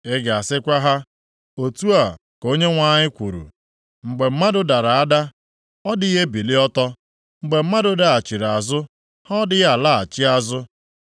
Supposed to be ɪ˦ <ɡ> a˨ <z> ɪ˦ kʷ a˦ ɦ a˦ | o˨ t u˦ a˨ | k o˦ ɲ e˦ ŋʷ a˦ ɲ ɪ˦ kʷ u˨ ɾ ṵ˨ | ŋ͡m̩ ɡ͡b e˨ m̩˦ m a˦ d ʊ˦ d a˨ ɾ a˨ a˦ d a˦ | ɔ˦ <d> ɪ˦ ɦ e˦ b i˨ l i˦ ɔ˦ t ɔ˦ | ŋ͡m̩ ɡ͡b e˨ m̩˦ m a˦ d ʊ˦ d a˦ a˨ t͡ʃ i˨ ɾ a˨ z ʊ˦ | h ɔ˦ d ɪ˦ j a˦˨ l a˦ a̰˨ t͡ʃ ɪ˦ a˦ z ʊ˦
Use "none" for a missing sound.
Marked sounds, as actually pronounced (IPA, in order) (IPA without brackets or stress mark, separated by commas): ɡ, s, d